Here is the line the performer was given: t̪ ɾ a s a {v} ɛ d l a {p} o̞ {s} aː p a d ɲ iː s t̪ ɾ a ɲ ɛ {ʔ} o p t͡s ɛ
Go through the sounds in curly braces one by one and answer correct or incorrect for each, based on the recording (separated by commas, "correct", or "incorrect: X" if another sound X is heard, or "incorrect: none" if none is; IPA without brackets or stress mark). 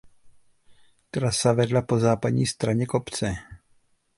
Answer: correct, correct, incorrect: z, incorrect: k